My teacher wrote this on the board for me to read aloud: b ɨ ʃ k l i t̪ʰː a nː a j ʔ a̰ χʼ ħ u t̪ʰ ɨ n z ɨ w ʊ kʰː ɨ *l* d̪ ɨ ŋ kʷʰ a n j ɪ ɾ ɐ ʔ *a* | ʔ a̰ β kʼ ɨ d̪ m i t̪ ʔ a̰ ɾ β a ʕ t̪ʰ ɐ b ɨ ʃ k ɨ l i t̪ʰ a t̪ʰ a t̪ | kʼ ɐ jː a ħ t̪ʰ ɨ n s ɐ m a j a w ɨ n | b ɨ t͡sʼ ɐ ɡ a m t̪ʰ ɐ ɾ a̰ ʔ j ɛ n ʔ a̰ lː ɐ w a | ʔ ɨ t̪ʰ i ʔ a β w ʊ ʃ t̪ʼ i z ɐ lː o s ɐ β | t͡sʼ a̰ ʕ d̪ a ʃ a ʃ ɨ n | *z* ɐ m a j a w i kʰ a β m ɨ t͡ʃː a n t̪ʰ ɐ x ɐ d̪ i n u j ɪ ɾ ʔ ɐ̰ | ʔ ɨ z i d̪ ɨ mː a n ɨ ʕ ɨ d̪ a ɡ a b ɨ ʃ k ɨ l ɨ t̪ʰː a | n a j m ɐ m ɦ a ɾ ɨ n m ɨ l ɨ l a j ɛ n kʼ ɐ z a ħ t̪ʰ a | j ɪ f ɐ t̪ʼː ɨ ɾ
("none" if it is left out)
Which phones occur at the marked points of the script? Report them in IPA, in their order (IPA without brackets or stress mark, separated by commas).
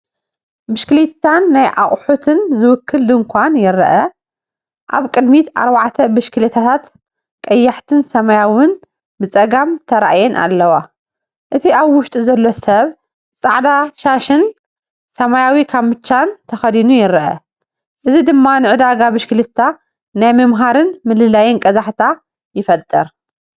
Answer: l, ɐ, s